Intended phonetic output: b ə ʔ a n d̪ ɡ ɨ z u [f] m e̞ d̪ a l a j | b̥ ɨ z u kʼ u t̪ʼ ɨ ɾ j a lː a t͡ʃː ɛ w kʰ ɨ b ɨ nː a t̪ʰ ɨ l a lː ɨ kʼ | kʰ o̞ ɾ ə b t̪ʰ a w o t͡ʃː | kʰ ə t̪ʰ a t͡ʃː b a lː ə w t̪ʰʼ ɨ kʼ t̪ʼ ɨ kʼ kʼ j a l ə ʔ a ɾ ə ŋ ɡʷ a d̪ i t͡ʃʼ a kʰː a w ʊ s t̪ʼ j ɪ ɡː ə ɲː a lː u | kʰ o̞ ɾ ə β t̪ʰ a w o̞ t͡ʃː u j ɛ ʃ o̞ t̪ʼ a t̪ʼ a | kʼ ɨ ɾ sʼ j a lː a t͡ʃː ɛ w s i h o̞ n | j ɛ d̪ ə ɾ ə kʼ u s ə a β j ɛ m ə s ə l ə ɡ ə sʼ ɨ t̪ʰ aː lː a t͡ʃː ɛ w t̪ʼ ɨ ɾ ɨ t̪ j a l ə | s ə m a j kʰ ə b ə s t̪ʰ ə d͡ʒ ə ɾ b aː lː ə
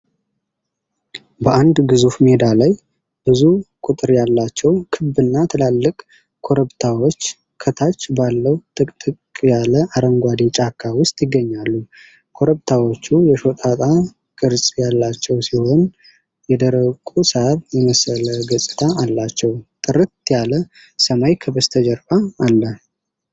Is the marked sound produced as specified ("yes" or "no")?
yes